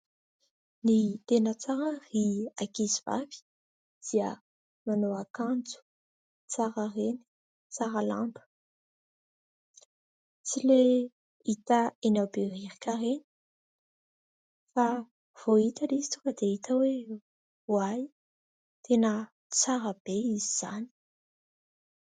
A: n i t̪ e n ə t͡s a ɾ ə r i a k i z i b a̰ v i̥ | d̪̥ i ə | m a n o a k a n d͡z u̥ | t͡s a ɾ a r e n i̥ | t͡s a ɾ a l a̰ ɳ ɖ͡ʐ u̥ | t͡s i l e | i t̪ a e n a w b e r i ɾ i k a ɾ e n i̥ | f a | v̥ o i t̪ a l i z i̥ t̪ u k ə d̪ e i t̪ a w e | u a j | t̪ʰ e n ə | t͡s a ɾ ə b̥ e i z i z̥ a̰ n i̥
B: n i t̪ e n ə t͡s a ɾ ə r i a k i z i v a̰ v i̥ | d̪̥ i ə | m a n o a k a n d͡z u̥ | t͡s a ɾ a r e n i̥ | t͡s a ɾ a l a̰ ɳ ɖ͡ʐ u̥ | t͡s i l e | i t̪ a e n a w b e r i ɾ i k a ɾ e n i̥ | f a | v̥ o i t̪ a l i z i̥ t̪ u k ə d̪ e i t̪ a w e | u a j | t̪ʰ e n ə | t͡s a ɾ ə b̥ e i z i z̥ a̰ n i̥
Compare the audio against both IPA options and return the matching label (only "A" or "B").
B